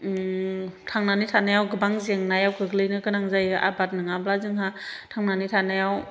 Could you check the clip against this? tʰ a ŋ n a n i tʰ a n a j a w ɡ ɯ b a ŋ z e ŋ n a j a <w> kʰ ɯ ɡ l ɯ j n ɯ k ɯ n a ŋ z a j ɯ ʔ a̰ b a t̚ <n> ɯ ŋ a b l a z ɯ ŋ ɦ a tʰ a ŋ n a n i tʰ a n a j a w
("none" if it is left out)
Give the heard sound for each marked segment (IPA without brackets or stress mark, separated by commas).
w, n